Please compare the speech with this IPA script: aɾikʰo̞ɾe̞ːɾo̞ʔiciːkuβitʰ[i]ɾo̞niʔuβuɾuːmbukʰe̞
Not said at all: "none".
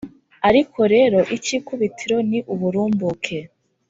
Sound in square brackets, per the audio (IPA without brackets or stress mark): i